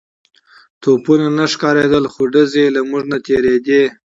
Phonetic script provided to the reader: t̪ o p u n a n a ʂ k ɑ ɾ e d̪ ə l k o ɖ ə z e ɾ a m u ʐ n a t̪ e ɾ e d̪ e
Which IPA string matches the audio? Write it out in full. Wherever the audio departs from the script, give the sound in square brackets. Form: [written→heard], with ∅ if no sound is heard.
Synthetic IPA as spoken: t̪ o p u n a n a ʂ k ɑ ɾ e d̪ ə l [k→x] o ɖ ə z e [ɾ→l] a m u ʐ n a t̪ e ɾ e d̪ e